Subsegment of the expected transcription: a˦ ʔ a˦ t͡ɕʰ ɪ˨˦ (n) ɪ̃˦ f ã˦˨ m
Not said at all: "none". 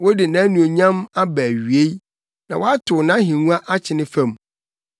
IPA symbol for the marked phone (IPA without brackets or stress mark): n